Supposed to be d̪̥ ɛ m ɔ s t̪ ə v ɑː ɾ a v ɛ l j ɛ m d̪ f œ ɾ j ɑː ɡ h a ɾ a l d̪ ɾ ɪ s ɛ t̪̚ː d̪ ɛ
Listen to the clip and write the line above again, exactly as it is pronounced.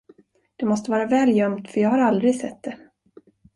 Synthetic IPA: d̪̥ ɛ m ɔ s t̪ ə v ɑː ɾ a v ɛː l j œ m t̪ f œ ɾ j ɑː ɡ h a ɾ a l d̪ ɾ ɪ s ɛ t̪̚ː d̪ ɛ